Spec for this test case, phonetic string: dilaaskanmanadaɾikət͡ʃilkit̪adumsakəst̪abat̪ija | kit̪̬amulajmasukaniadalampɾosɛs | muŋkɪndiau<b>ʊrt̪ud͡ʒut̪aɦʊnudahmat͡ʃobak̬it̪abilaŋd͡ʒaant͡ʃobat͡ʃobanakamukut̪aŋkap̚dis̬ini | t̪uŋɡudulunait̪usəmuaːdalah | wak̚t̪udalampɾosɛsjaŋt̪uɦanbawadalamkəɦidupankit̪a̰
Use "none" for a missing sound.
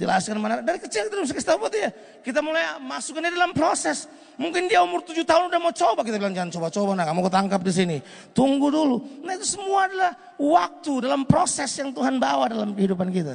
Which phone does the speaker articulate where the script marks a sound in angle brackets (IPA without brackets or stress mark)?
m